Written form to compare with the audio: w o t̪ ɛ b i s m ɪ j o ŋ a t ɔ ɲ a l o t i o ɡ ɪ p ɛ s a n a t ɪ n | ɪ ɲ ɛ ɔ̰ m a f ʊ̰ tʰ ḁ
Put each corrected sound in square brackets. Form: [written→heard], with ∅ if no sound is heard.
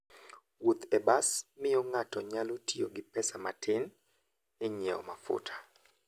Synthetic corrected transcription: w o t̪ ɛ b [i→a] s m ɪ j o ŋ a t ɔ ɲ a l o t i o ɡ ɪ p ɛ s a [n→m] a t ɪ n | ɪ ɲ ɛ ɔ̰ m a f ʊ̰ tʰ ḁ